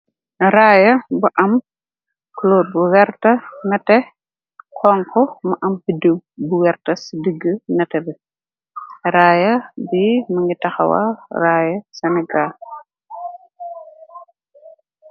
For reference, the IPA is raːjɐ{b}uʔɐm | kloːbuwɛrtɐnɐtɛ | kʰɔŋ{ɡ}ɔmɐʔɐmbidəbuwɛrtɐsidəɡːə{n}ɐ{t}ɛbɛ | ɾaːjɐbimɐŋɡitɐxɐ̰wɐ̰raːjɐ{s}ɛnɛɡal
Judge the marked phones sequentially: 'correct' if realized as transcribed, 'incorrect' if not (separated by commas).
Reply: correct, incorrect, correct, correct, correct